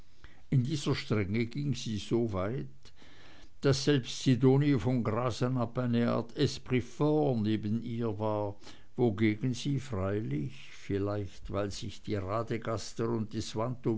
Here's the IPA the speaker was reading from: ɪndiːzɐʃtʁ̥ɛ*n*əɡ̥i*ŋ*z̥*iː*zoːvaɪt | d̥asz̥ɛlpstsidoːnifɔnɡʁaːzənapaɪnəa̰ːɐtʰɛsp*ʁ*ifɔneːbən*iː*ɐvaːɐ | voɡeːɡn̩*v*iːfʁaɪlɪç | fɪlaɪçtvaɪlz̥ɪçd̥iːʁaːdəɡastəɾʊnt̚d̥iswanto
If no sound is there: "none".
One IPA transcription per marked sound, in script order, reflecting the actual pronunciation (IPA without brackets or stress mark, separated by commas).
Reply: ŋ, ŋ, iː, ʁ, iː, z